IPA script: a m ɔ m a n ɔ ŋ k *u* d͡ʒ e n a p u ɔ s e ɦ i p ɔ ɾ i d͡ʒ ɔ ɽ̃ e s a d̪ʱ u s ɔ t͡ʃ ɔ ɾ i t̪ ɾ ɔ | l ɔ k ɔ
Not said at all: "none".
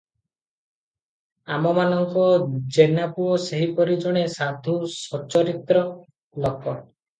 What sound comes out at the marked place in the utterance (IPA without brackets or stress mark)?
ɔ